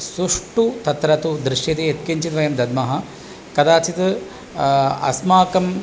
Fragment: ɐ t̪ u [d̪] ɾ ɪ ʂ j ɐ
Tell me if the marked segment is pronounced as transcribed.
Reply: yes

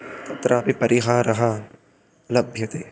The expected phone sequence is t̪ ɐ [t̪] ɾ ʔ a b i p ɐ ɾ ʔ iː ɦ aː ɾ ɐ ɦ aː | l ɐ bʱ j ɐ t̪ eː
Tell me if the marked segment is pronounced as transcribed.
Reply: yes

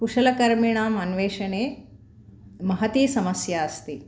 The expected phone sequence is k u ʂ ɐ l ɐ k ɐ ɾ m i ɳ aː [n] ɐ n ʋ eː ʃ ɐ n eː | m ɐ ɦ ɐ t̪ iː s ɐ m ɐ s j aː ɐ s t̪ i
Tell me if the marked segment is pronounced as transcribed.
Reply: no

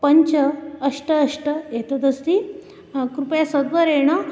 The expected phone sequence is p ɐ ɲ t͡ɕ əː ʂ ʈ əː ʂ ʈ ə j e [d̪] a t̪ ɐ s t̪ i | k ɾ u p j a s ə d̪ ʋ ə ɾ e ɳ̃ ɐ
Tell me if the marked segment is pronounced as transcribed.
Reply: no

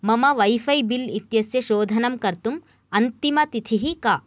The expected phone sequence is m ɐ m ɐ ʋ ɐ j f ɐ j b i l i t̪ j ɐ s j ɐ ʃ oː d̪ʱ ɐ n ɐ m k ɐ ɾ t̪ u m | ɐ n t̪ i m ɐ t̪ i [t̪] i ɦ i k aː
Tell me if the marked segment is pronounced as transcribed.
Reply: no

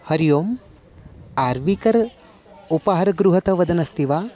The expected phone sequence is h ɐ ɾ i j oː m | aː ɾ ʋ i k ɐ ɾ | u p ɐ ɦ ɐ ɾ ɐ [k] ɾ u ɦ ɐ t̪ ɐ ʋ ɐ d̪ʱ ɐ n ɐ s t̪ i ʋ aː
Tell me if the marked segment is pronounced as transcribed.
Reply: no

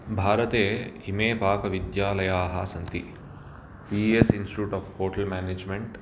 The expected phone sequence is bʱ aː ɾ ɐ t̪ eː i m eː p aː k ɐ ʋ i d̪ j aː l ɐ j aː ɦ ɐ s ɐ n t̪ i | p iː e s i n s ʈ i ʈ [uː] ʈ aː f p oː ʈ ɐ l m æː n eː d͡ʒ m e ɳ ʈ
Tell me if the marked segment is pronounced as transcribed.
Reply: yes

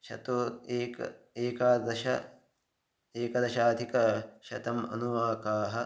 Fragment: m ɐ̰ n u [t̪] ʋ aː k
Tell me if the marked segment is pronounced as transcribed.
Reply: no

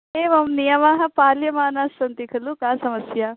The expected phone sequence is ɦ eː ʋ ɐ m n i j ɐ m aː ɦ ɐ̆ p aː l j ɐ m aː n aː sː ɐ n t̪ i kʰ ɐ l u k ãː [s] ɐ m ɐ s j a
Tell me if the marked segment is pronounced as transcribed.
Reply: yes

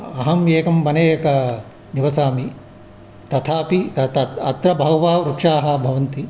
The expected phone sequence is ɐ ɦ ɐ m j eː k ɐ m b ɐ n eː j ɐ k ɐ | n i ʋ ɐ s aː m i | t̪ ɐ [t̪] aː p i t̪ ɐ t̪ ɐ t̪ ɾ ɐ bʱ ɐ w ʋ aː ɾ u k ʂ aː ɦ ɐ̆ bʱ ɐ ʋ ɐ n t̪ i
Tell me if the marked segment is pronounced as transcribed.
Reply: no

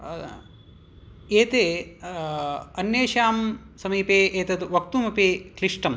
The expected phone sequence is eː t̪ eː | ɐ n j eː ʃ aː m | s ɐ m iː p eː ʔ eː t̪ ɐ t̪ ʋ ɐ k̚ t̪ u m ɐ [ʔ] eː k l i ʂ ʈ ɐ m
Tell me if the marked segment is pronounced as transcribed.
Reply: no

